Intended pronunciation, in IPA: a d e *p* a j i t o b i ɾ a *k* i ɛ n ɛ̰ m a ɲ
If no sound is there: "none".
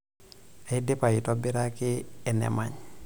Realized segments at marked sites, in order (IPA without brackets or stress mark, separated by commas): p, k